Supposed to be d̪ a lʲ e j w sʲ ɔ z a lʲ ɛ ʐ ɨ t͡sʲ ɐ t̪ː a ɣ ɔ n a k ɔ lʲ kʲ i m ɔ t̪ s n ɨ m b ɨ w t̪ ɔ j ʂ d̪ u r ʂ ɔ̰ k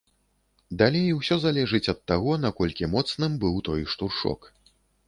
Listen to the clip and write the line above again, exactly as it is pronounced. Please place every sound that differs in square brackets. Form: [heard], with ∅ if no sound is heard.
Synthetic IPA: d̪ a lʲ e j w sʲ ɔ z a lʲ ɛ ʐ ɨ t͡sʲ ɐ t̪ː a ɣ ɔ n a k ɔ lʲ kʲ i m ɔ t̪ s n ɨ m b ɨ w t̪ ɔ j ʂ [t̪] u r ʂ ɔ̰ k